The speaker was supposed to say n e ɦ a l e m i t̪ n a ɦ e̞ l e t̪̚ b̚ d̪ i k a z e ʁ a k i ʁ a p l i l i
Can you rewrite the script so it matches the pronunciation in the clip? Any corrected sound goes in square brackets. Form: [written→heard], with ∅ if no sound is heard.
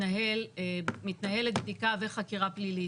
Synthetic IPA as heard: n [e→a] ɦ [a→e] l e m i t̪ n a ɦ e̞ l e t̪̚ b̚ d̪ i k a [z→v] e [ʁ→χ] a k i ʁ a p l i l i

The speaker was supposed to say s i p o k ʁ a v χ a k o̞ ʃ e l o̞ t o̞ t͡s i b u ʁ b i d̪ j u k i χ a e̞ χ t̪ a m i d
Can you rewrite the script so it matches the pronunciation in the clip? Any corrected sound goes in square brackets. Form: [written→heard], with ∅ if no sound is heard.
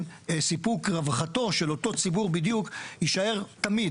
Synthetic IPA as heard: s i p [o→u] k ʁ a v χ a [k→t] o̞ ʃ e l o̞ t o̞ t͡s i b u ʁ b i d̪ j u k i [χ→ʃ] a e̞ [χ→ʁ] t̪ a m i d

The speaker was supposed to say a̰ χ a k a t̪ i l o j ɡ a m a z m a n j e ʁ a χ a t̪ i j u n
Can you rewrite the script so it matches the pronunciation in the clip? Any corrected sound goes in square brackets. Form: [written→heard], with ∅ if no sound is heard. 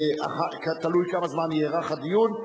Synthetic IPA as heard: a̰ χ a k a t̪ [i→a] l [o→u] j [ɡ→k] a m a z m a n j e ʁ a χ a [t̪→d̪] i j u n

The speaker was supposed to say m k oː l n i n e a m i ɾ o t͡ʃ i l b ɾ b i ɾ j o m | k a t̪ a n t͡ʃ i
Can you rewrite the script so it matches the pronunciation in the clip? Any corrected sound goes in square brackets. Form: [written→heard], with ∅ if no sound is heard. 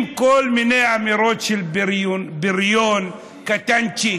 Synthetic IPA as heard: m k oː l [n→m] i n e a m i ɾ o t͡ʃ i l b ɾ b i ɾ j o [m→n] | k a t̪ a n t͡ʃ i

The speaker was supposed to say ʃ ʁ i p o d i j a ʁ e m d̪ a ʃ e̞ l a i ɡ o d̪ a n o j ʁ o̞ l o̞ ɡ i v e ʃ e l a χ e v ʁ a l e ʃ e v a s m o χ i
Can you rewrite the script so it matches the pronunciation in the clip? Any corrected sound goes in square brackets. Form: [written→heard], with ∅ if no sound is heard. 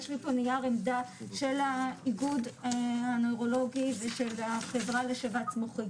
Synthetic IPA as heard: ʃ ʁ i p o [d→n] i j a ʁ e m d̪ a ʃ e̞ l a i ɡ [o→u] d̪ a n o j ʁ o̞ l o̞ ɡ i v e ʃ e l a χ e v ʁ a l e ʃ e v a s m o χ i

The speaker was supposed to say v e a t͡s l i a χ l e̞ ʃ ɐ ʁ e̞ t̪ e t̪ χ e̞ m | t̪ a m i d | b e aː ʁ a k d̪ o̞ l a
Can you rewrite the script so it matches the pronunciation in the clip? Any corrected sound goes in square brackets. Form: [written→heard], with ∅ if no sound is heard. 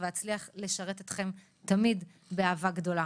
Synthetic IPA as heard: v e a t͡s l i a χ l e̞ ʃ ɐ ʁ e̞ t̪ e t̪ χ e̞ m | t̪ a m i d | b e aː [ʁ→v] a [k→ɡ] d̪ o̞ l a

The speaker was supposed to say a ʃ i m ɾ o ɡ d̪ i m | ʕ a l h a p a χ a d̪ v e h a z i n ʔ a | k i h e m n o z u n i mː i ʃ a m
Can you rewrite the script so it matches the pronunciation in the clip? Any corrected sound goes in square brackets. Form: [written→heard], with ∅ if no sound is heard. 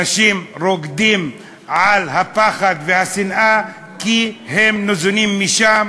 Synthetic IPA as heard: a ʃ i m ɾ o ɡ d̪ i m | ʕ a l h a p a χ a d̪ v e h a [z→s] i n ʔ a | k i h e m n o z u n i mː i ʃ a m

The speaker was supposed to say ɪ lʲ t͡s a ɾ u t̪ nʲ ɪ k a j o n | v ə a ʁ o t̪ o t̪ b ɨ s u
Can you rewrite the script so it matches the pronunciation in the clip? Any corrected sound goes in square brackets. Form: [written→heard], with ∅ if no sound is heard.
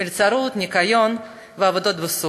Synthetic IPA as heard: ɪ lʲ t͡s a ɾ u t̪ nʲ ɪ k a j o n | v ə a [ʁ→v] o [t̪→d̪] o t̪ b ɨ s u

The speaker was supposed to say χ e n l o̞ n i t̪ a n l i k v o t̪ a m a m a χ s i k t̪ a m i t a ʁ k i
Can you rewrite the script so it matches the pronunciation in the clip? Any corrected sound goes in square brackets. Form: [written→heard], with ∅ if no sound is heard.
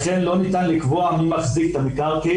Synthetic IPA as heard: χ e n l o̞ n i t̪ a n l i k v o [t̪→∅] a m [a→i] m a χ [s→z] i k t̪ a m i [t→k] a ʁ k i

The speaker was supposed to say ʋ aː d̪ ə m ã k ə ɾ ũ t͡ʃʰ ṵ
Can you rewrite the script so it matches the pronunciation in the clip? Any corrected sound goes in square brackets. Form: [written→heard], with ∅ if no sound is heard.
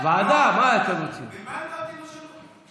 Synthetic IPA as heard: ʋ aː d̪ [ə→a] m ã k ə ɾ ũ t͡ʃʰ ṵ

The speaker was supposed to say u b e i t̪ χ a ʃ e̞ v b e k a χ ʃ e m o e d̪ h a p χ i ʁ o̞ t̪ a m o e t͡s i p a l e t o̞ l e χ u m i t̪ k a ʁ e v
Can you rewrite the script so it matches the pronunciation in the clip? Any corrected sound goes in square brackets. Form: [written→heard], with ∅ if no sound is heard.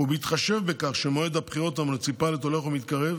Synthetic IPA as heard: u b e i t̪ χ a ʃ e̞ v b e k a χ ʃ e m o e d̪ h a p χ i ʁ o̞ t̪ a m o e t͡s i p a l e t o̞ l e χ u m i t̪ k a ʁ e v

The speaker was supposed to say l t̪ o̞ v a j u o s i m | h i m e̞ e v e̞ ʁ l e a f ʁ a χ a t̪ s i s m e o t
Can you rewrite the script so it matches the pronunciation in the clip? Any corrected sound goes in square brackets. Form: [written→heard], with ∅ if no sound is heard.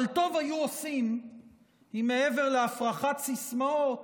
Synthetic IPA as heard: l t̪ o̞ v a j u o s i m | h i m e̞ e v e̞ ʁ l e a f ʁ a χ a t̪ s i s m [e→a] o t

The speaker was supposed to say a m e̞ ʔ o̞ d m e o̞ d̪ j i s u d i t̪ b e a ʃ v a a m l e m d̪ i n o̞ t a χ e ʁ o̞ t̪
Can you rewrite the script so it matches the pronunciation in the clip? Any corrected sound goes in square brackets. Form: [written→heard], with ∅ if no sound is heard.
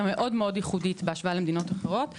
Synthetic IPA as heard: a m e̞ ʔ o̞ d m e o̞ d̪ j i [s→χ] u d i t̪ b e a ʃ v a a [m→∅] l e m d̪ i n o̞ t a χ e ʁ o̞ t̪

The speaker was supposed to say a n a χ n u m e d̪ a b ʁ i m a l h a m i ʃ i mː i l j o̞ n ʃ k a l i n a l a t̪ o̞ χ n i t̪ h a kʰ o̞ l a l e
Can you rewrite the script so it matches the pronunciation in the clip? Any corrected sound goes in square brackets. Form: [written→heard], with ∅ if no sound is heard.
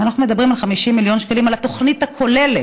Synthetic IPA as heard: a n a χ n u m e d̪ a b ʁ i m a l [h→χ] a m i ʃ i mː i l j o̞ n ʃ k a l i [n→m] a l a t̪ o̞ χ n i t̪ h a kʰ o̞ l [a→e] l e

